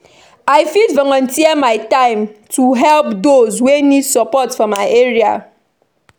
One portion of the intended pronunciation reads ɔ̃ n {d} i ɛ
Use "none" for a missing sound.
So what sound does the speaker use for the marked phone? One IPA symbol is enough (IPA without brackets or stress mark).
t